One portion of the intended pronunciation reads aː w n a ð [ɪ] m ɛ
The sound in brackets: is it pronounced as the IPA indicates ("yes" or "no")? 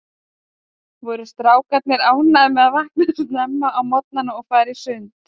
yes